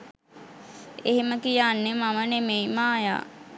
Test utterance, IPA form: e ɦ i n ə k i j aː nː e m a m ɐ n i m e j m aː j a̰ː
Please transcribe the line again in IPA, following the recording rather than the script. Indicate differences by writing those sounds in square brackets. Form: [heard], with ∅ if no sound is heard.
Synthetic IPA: e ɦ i [m] ə k i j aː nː e m a m [ə] n [e] m e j m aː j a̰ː